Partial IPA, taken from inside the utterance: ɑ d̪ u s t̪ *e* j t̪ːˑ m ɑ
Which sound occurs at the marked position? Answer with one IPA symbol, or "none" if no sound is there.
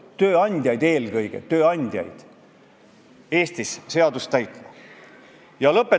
æ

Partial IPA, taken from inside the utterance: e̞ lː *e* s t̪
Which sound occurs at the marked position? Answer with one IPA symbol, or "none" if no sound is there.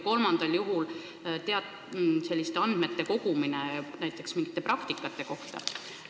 i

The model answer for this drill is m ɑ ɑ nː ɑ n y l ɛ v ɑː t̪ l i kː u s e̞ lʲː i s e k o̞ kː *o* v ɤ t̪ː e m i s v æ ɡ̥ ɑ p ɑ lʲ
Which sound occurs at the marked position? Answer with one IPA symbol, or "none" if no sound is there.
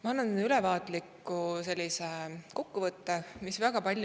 u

